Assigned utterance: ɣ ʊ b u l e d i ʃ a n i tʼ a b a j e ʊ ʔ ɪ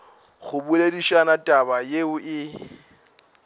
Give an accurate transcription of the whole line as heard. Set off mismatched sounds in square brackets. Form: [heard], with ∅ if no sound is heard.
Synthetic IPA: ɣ ʊ b u l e d i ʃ a n [a] tʼ a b a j e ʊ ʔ ɪ